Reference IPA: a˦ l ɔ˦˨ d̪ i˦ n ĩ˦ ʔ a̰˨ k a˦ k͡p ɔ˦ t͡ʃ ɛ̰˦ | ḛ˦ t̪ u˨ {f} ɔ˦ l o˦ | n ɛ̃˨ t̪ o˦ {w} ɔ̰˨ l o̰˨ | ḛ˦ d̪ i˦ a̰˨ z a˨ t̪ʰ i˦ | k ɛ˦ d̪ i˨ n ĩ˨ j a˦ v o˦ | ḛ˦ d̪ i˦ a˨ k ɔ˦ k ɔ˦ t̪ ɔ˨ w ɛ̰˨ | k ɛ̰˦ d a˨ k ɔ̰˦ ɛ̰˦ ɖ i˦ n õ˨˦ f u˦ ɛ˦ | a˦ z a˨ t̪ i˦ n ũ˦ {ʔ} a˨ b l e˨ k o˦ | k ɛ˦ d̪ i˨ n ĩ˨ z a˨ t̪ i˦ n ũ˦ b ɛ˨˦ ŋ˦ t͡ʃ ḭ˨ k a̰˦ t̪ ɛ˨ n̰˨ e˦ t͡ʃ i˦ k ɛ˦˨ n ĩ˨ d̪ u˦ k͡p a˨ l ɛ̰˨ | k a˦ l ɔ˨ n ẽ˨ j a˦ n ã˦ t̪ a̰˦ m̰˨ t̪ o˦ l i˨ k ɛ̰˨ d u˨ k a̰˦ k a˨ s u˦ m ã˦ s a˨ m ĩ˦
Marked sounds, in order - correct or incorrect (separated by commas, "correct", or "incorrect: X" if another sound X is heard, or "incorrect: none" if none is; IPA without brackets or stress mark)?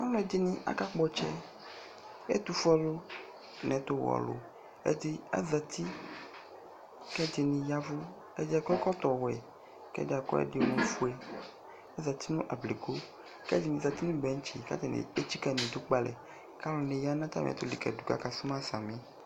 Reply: correct, correct, correct